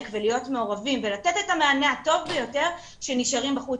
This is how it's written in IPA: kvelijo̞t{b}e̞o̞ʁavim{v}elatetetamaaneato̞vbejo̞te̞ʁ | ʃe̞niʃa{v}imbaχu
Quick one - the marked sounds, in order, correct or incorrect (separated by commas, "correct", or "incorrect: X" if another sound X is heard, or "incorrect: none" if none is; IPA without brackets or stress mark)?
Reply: incorrect: m, correct, incorrect: ʁ